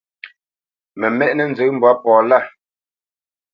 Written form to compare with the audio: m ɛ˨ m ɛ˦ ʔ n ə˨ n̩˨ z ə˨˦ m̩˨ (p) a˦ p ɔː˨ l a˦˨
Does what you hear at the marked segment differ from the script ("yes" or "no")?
yes